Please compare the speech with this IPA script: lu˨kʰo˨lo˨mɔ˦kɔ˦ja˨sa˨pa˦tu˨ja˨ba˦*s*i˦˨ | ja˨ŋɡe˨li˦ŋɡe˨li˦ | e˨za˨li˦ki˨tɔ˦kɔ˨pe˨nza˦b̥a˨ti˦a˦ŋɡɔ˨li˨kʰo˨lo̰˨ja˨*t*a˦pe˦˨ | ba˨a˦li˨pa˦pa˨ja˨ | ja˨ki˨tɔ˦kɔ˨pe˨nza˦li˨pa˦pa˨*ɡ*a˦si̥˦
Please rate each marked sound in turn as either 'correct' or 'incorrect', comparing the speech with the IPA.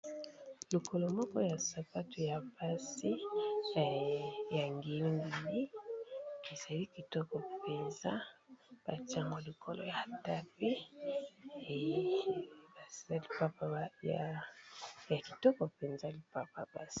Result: correct, correct, incorrect: b

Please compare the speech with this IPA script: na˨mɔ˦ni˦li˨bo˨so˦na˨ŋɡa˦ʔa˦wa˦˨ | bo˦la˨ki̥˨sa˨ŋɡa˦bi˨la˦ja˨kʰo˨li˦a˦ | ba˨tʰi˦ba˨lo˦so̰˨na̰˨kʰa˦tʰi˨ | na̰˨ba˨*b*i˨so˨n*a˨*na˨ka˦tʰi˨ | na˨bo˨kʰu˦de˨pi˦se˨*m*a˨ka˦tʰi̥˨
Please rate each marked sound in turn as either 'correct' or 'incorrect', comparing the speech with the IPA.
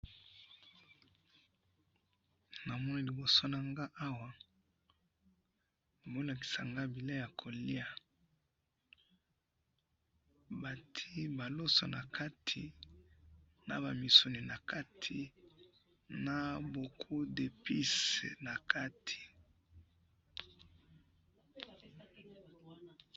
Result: incorrect: m, incorrect: i˨, incorrect: n

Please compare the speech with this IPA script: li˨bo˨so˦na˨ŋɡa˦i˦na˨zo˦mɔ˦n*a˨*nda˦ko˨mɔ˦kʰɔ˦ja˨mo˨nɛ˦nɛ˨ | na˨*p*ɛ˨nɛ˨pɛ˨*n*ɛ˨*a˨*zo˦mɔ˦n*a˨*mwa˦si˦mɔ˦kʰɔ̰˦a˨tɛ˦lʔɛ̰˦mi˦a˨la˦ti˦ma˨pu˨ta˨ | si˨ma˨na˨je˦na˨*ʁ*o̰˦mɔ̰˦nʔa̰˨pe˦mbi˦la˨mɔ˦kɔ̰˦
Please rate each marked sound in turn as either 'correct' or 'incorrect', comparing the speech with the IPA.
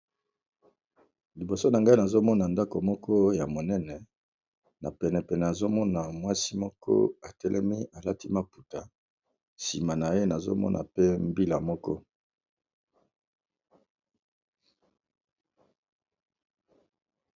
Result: correct, correct, correct, correct, correct, incorrect: z

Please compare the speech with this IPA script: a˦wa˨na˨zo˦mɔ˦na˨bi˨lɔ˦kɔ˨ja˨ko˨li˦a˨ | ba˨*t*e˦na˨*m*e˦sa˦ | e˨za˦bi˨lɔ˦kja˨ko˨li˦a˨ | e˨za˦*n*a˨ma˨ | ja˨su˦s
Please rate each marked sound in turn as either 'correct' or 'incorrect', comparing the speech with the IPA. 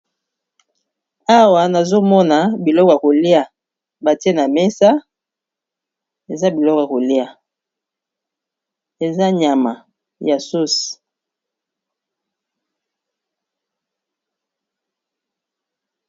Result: correct, correct, incorrect: ɲ

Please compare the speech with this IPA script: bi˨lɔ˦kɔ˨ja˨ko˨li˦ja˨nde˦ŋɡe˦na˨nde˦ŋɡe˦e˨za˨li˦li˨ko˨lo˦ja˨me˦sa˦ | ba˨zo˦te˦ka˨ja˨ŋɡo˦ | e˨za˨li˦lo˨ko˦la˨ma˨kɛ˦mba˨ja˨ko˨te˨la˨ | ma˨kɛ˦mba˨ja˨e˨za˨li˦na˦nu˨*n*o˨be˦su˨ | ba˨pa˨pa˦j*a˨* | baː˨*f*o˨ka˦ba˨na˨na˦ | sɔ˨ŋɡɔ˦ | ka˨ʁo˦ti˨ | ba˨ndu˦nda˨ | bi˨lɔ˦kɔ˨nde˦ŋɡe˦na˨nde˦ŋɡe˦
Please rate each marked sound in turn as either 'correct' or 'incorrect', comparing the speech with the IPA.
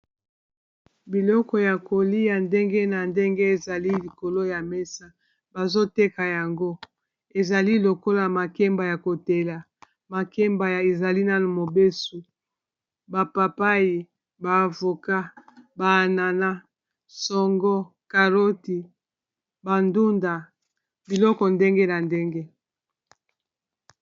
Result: incorrect: m, incorrect: i˨, incorrect: v

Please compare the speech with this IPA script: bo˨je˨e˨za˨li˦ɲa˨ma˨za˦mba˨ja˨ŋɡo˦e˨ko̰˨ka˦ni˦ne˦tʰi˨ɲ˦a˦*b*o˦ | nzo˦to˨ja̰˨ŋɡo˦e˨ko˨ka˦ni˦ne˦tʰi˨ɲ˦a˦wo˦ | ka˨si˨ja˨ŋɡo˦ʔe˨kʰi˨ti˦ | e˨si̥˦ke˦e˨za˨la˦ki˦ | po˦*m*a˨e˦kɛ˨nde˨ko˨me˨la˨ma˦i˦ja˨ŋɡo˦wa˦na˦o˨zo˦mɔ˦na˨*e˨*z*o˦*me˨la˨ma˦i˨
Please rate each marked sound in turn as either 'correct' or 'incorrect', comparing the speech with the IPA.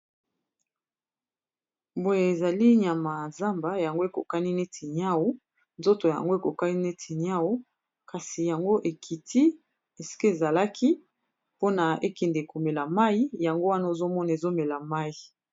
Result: incorrect: w, incorrect: n, correct, correct

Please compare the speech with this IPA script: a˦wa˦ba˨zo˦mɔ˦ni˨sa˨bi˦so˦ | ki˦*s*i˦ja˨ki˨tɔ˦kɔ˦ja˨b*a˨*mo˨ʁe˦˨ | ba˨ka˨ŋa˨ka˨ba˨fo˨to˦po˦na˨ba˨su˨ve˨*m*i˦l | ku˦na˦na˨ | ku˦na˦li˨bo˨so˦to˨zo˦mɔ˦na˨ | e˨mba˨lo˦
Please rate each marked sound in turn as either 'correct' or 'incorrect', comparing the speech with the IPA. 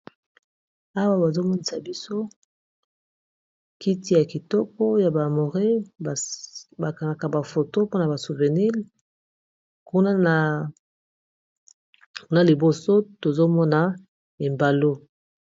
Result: incorrect: t, correct, incorrect: n

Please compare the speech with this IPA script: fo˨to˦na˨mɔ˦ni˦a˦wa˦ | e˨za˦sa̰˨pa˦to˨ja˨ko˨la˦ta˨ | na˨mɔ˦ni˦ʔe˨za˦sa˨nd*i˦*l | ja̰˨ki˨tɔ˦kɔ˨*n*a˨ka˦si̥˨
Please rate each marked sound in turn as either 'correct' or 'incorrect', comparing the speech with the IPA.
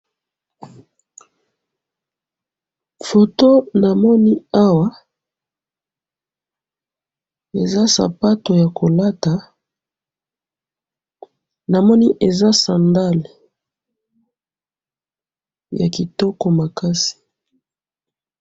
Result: incorrect: a˦, incorrect: m

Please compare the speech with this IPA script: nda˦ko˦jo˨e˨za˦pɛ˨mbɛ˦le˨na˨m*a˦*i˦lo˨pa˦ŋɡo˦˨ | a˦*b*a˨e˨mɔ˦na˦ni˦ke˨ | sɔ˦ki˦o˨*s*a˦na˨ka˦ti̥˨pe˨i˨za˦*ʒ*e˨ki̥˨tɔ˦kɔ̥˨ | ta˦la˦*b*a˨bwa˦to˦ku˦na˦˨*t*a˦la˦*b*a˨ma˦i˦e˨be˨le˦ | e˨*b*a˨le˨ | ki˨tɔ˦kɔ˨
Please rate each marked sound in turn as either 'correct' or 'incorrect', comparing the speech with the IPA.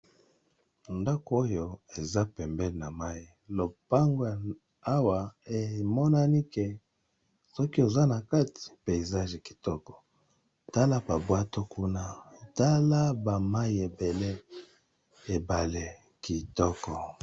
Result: correct, incorrect: w, incorrect: z, correct, correct, correct, correct, correct

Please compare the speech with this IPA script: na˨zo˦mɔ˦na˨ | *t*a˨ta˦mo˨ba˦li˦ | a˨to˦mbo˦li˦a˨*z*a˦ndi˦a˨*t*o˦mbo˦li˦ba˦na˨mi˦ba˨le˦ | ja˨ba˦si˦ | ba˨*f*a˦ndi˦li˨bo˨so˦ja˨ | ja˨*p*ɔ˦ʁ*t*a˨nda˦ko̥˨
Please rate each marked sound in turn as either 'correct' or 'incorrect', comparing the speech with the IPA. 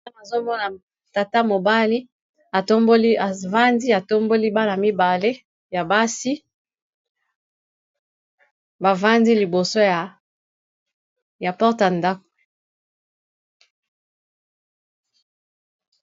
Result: correct, incorrect: v, correct, incorrect: v, correct, correct

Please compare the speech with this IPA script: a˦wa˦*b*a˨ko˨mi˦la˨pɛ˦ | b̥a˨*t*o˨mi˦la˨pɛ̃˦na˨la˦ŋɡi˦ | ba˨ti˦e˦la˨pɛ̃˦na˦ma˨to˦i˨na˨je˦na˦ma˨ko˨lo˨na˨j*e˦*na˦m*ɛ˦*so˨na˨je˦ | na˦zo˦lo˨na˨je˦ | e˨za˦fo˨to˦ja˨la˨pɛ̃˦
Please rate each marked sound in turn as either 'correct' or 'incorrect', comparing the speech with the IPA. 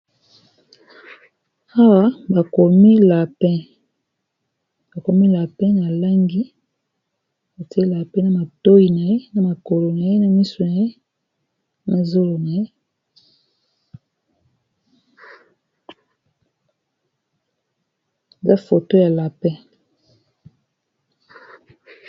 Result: correct, incorrect: k, correct, incorrect: i˦

